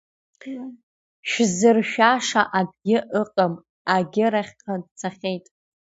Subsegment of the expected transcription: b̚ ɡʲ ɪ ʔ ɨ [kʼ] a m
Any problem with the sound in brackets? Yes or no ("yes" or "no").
yes